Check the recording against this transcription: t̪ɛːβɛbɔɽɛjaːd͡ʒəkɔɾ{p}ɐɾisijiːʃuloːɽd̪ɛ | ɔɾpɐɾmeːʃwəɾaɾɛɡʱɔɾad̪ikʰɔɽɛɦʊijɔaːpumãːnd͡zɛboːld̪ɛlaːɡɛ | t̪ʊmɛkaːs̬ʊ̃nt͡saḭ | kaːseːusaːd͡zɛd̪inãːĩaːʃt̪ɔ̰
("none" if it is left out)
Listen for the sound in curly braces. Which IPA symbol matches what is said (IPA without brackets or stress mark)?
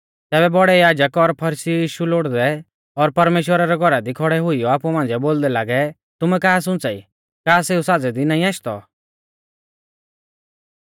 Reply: pʰ